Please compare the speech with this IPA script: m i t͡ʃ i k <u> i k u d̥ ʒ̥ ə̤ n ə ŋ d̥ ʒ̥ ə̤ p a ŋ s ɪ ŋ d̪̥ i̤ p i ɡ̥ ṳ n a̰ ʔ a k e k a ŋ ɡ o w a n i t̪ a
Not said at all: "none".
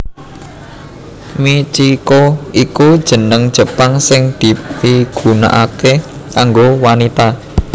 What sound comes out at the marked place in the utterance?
o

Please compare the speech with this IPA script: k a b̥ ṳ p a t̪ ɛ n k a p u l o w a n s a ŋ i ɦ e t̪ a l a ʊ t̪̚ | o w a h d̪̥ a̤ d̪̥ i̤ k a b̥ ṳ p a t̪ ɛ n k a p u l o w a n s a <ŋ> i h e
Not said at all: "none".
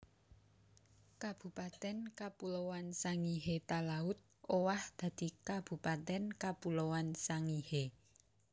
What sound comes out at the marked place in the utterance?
ŋ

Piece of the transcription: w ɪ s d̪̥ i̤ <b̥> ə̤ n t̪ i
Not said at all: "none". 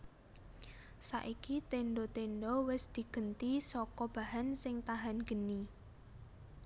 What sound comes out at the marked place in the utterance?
ɡ̥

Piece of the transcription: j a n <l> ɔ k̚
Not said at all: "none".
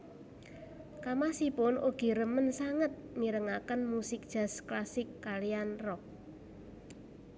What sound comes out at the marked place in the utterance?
r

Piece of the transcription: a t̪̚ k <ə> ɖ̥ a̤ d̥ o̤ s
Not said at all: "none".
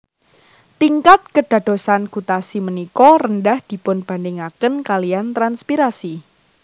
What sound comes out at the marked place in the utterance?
ə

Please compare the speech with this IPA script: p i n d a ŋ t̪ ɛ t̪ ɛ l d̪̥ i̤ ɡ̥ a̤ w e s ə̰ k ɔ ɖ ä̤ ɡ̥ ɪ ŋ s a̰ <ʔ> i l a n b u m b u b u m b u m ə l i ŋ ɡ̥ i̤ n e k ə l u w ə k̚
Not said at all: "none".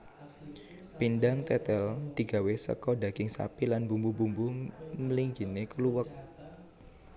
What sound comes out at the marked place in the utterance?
p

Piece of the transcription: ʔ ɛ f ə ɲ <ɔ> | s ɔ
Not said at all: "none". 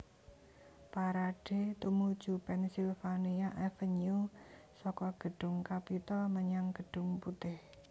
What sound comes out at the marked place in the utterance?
u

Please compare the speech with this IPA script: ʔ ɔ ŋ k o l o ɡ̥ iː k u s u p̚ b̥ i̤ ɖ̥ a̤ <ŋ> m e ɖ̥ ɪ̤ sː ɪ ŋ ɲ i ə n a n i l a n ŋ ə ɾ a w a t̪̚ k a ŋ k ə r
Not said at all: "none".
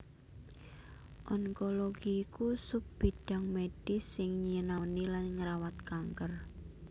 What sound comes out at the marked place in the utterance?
ŋ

